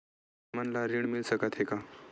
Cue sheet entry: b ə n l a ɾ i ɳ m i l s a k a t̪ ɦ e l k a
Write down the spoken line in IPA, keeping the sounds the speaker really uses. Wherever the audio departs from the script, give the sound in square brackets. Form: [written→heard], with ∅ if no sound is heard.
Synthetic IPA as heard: [b→m] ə n l a ɾ i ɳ m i l s [a→ə] k a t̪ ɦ e [l→∅] k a